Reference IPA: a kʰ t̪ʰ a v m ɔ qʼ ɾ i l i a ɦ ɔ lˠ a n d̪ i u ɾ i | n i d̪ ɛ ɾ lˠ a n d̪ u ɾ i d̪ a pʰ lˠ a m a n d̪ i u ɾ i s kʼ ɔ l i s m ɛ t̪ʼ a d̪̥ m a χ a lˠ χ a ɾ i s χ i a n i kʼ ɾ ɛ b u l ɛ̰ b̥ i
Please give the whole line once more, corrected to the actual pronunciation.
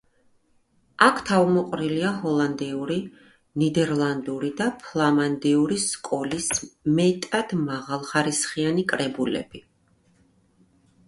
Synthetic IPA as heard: a kʰ t̪ʰ a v m ɔ qʼ ɾ i l i a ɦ ɔ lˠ a n d̪ i u ɾ i | n i d̪ ɛ ɾ lˠ a n d̪ u ɾ i d̪ a pʰ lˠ a m a n d̪ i u ɾ i s kʼ ɔ l i s m ɛ t̪ʼ a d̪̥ m a ʁ a lˠ χ a ɾ i s χ i a n i kʼ ɾ ɛ b u l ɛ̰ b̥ i